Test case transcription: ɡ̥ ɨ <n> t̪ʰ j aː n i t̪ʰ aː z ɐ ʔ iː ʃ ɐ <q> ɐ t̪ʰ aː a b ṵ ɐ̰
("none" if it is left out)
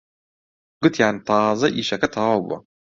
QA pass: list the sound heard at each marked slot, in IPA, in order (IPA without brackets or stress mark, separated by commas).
none, k